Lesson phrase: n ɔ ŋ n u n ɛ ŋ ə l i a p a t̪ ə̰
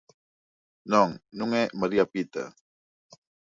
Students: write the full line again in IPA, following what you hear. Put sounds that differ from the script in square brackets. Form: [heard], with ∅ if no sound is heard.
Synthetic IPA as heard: n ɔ ŋ n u [ŋ] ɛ [m] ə [ɾ] i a p [i] t̪ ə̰